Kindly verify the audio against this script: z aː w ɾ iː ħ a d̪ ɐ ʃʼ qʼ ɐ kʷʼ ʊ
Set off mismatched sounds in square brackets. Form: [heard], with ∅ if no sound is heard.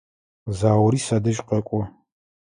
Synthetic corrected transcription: z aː w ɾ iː [s] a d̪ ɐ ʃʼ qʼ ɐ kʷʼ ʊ